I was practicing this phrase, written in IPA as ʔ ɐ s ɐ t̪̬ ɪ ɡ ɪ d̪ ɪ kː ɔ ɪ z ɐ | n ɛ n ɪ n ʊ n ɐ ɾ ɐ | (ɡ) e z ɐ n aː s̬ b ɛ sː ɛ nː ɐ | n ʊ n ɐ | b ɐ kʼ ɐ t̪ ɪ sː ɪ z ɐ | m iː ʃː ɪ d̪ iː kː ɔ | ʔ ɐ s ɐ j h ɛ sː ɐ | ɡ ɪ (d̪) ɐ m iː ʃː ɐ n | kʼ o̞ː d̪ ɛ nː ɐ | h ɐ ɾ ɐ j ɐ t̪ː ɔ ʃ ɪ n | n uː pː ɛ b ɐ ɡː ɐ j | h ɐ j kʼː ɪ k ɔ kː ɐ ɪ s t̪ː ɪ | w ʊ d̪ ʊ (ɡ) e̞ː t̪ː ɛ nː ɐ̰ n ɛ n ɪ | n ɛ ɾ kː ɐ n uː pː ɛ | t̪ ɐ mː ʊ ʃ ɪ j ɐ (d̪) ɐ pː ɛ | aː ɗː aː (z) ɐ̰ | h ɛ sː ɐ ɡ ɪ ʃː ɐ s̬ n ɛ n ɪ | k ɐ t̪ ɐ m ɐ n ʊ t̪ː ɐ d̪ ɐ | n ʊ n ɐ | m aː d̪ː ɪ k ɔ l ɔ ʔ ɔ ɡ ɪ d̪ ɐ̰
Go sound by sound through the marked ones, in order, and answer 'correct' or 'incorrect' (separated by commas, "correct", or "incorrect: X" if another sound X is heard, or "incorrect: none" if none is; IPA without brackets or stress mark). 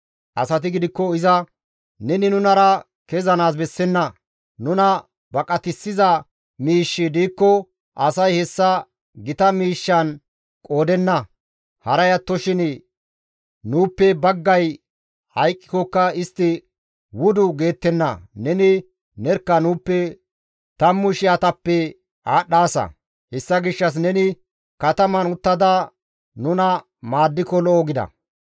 incorrect: k, incorrect: t̪, correct, incorrect: t̪, incorrect: s